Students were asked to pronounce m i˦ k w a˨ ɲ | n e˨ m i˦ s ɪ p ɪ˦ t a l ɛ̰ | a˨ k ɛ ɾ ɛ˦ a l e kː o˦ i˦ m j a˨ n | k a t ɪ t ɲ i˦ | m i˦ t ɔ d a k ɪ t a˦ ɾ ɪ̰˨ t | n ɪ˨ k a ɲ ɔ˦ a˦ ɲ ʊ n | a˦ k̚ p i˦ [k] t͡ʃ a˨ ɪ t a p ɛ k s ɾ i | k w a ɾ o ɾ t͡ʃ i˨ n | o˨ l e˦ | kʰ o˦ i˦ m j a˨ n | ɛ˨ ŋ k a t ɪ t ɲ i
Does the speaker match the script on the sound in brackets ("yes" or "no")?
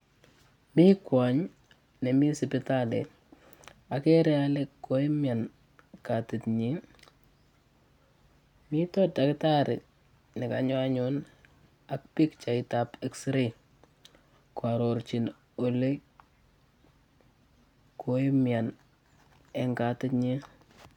yes